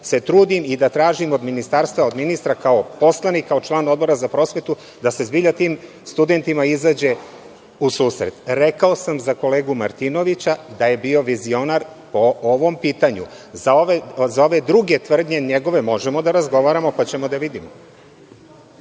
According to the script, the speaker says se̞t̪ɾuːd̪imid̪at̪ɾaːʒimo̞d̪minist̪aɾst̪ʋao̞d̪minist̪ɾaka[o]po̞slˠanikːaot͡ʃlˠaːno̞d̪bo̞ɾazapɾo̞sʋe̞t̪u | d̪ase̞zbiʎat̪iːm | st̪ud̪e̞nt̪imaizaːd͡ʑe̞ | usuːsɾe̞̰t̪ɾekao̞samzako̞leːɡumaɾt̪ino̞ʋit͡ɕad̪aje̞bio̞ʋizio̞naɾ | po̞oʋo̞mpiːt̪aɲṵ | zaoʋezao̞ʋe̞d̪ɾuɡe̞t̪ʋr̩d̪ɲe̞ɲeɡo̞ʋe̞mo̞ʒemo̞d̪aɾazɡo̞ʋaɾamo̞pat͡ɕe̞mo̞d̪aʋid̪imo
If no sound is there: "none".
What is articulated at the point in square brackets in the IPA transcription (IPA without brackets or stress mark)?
o